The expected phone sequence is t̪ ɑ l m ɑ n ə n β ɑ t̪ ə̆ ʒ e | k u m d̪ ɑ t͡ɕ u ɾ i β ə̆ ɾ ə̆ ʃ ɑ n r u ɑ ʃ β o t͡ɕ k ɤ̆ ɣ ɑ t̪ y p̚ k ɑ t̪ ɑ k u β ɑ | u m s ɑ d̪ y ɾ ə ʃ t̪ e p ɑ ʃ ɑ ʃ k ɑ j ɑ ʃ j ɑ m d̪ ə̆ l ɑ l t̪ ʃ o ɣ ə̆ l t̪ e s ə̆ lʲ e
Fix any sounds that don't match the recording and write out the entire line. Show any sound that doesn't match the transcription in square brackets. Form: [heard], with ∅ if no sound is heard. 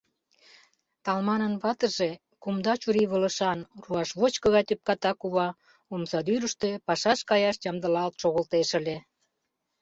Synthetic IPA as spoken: t̪ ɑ l m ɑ n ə n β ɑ t̪ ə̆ ʒ e | k u m d̪ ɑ t͡ɕ u ɾ i β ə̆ [l] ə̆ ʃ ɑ n r u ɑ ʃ β o t͡ɕ k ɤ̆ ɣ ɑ t̪ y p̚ k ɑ t̪ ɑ k u β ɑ | u m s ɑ d̪ y ɾ ə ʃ t̪ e p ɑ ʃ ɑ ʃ k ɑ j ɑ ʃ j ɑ m d̪ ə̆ l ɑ l t̪ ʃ o ɣ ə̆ l t̪ e [ʃ] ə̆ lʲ e